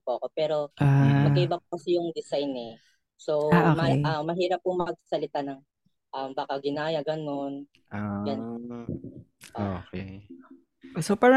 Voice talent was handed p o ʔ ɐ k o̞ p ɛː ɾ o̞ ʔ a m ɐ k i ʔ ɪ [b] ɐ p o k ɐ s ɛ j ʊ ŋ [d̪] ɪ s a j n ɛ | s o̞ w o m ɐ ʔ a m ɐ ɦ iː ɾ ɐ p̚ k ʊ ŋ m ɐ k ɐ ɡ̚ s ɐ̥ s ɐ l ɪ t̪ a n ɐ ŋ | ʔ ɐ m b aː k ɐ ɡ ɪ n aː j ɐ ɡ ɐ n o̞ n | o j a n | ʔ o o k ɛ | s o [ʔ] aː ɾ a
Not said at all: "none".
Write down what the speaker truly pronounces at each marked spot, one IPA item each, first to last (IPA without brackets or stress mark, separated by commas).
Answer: b, d̪, p